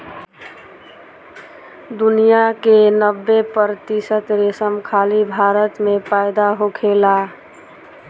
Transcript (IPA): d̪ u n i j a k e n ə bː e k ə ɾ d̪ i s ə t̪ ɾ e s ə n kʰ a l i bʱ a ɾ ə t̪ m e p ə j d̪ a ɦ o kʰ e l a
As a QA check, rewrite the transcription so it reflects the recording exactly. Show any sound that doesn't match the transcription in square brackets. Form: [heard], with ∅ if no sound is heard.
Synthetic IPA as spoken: d̪ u n i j a k e n ə bː e [p] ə ɾ [t̪] i s ə t̪ ɾ e s ə [m] kʰ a l i bʱ a ɾ ə t̪ m e p [a] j d̪ a ɦ o kʰ e l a